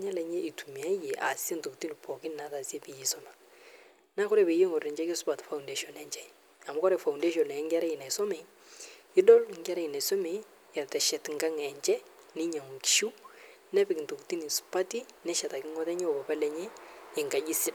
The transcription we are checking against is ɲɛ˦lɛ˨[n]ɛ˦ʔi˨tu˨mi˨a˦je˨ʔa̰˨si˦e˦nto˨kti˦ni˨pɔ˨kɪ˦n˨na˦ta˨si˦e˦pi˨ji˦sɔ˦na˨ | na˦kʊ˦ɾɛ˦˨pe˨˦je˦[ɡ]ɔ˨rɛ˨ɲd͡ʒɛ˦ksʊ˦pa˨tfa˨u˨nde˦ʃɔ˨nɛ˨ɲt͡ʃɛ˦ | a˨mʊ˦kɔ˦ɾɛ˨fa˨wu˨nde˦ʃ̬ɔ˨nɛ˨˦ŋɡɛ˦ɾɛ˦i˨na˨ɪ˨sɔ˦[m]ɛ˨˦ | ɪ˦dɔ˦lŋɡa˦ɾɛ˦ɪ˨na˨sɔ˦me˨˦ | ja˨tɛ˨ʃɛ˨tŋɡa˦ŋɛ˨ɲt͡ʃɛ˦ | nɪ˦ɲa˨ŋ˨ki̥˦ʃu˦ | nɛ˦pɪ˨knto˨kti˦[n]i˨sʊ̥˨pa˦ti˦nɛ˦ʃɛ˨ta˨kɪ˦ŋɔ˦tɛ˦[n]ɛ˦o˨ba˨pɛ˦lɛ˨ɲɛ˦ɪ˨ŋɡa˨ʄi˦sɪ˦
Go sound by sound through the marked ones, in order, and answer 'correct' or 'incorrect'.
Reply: incorrect: ɲ, incorrect: ŋ, correct, correct, incorrect: ɲ

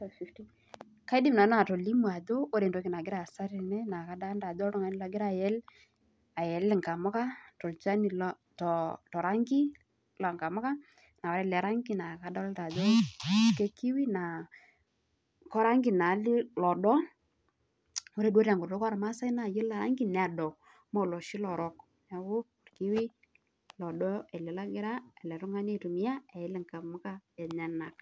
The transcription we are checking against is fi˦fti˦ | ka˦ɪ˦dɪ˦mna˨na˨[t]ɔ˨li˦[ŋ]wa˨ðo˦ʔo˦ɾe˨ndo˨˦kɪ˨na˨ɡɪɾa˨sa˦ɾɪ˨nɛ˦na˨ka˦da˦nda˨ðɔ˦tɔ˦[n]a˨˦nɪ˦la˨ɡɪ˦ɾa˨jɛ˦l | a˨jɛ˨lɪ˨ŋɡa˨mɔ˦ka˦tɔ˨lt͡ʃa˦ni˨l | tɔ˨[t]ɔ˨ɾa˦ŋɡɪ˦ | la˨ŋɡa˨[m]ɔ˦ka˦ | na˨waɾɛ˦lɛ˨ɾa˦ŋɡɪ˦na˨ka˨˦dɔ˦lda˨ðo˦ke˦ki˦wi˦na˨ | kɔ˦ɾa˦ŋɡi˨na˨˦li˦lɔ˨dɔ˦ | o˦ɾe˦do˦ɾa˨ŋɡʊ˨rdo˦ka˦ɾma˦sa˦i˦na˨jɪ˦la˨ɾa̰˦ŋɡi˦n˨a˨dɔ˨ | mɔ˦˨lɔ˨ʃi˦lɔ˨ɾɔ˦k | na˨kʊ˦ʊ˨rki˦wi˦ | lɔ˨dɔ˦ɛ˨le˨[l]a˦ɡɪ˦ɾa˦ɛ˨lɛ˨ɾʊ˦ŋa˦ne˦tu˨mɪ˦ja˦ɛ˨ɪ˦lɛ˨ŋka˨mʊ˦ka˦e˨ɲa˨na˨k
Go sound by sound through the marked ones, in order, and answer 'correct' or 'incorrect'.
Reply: correct, incorrect: m, incorrect: ŋ, correct, correct, correct

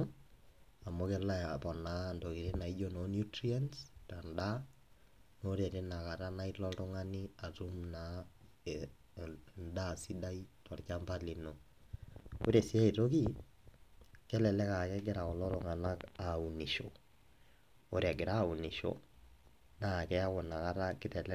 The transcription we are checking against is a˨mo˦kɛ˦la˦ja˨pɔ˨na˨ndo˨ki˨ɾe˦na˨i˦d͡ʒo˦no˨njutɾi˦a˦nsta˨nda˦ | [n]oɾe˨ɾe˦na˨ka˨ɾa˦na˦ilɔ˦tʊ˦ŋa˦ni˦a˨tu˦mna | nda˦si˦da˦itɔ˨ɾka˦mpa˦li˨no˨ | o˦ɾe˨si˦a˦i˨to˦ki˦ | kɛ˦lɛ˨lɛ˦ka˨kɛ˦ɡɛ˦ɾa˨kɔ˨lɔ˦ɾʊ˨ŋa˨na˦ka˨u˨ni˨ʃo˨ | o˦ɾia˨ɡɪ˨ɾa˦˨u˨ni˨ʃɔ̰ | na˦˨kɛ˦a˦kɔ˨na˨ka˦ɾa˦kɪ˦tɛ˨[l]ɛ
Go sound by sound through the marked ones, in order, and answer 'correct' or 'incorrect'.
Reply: correct, correct

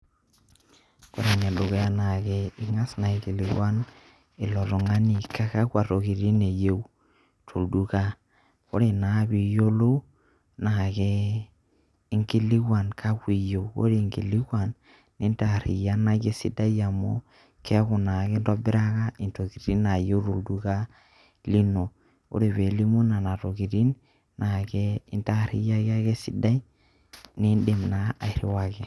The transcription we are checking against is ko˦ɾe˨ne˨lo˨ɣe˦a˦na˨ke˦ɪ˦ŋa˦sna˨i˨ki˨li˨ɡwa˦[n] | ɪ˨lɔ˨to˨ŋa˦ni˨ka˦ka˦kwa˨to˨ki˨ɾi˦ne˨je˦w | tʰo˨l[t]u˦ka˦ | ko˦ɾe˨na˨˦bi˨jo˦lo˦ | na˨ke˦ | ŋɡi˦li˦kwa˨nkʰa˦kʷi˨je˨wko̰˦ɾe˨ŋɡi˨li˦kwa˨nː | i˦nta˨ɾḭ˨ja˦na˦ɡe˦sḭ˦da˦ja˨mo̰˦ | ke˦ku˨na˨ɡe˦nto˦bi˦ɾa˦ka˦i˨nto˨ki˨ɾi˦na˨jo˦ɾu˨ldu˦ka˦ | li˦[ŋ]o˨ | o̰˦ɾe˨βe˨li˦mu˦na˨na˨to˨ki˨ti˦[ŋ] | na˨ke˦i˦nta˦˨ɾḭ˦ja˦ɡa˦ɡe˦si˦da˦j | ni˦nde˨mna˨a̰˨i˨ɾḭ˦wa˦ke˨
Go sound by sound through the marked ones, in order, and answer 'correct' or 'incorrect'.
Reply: correct, incorrect: d, incorrect: n, incorrect: n

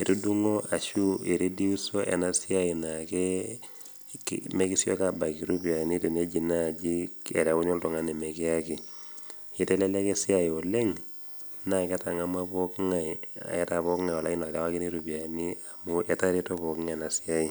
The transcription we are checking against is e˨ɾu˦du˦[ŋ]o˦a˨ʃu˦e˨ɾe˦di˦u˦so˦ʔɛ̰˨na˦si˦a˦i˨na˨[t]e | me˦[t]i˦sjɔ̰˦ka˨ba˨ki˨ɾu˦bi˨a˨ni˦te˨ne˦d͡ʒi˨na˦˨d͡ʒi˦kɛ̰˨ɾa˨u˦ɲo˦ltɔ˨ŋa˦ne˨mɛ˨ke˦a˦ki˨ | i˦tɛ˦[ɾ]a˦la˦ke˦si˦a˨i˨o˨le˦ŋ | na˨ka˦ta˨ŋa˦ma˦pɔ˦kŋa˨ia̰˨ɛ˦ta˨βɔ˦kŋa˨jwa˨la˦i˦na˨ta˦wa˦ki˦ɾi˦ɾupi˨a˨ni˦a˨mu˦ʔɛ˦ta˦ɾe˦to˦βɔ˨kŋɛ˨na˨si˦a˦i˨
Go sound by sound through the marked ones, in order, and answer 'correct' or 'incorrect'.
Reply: correct, incorrect: k, incorrect: k, incorrect: l

